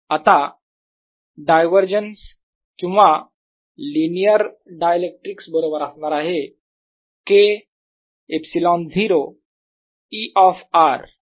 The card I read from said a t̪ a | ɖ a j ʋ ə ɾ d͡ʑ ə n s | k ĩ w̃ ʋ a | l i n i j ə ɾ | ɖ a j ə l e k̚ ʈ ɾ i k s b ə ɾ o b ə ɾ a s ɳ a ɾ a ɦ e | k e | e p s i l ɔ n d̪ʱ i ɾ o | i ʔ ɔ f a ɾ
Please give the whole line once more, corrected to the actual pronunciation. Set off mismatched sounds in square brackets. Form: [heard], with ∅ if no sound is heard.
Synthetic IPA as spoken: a t̪ a | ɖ a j ʋ ə ɾ d͡ʑ ə n s | k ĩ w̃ ʋ a | l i n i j ə ɾ | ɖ a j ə l e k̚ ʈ ɾ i k s b ə ɾ o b ə ɾ a s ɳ a ɾ a ɦ e | k e | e p s i l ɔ n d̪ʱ i ɾ o | i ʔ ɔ f a ɾ